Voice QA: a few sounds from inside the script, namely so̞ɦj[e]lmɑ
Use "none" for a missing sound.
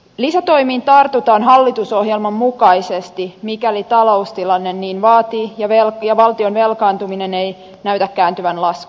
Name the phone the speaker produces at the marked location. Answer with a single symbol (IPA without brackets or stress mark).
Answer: e